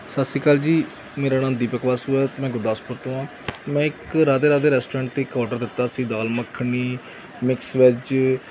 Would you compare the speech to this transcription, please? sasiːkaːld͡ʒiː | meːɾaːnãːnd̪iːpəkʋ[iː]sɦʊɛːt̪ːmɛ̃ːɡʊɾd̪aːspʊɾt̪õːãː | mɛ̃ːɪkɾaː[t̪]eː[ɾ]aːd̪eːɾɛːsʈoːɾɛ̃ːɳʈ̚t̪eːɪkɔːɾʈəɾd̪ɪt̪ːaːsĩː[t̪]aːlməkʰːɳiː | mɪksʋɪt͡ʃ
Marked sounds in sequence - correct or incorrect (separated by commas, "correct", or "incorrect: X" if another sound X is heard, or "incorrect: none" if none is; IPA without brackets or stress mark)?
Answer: incorrect: aː, incorrect: d̪, correct, incorrect: d̪